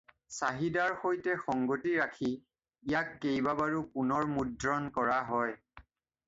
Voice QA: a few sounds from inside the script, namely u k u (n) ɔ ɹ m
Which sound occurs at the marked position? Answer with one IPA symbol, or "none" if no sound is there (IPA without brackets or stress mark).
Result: n